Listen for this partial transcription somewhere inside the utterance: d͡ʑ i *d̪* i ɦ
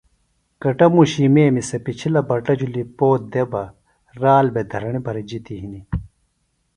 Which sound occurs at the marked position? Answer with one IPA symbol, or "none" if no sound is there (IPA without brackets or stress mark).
t̪